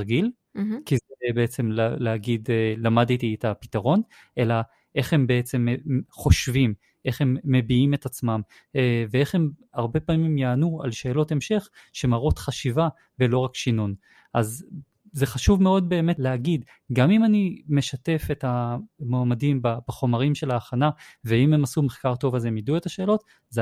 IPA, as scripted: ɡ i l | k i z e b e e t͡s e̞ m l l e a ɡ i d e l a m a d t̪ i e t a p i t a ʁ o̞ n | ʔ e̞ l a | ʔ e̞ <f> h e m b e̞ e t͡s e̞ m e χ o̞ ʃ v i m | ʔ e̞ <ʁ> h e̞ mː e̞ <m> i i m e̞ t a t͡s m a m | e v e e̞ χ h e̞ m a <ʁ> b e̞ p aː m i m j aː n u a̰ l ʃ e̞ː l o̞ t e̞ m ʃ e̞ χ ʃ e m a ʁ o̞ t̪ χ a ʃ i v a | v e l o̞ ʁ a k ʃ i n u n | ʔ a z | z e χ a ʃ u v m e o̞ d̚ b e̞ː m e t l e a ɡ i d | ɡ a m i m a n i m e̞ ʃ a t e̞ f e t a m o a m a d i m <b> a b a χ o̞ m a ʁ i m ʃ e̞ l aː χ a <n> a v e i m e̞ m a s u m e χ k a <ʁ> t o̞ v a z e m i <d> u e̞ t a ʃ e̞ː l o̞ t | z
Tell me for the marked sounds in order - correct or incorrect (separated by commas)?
incorrect, incorrect, incorrect, correct, correct, correct, correct, correct